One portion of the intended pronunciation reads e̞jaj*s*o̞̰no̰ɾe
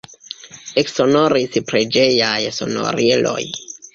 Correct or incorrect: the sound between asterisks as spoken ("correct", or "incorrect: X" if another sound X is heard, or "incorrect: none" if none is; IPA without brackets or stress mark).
correct